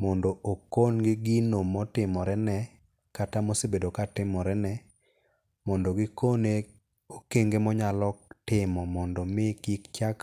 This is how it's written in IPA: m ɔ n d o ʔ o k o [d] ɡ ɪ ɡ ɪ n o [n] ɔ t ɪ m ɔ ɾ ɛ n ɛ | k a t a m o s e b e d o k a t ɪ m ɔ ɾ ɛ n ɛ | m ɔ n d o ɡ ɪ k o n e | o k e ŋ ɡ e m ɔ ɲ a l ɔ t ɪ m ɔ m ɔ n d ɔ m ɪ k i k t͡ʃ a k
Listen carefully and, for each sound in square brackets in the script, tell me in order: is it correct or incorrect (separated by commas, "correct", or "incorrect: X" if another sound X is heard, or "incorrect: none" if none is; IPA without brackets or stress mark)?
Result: incorrect: n, incorrect: m